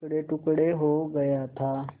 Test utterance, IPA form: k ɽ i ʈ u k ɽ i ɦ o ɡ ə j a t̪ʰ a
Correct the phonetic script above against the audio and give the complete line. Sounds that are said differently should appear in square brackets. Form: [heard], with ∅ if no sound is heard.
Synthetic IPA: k ɽ [e] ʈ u k ɽ [e] ɦ o ɡ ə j a t̪ʰ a